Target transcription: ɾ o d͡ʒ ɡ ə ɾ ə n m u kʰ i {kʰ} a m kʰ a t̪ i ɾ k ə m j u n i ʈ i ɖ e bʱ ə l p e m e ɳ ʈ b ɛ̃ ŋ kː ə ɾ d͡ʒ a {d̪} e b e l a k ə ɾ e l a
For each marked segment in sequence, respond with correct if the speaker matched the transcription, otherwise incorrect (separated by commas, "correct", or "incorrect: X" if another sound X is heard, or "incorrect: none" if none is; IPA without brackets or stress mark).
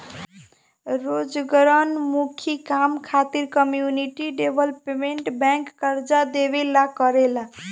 incorrect: k, correct